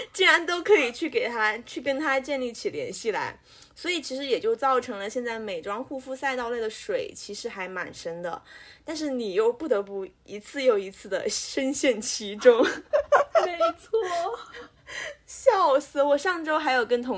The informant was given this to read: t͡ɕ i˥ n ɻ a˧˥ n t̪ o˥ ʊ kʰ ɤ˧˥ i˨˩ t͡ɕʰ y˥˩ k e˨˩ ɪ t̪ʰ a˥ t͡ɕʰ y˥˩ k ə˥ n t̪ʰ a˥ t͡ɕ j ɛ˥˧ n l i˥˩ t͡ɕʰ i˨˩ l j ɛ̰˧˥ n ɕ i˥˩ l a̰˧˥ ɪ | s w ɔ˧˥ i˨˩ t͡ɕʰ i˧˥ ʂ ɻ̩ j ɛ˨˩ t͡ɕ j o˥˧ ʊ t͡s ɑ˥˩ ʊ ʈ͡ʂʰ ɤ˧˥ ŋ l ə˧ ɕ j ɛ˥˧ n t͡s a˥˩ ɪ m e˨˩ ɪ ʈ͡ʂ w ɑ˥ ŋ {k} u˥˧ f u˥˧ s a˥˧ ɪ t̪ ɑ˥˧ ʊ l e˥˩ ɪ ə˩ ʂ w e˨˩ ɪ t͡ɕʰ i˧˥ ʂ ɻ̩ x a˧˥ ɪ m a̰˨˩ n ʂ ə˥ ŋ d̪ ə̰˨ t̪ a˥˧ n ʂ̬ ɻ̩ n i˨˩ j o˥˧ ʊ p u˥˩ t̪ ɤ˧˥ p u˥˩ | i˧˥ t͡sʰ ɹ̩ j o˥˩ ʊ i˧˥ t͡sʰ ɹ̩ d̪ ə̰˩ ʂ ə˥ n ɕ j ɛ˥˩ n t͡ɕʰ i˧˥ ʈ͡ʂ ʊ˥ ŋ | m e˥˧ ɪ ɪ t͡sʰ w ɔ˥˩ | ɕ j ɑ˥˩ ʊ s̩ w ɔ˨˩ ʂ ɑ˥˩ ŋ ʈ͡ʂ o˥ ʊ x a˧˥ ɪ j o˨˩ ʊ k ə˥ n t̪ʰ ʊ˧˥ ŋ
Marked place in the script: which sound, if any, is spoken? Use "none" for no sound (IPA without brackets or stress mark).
x